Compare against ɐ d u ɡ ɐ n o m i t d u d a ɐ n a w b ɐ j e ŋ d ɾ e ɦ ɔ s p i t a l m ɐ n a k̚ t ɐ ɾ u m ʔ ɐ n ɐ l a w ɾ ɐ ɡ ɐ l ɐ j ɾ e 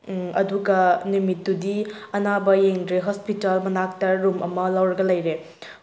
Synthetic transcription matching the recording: ɐ d u ɡ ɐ n u m i t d u d i ɐ n a b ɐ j e ŋ d ɾ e ɦ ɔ s p i t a l m ɐ n a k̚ t ɐ ɾ u m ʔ ɐ m ɐ l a w ɾ ɐ ɡ ɐ l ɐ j ɾ e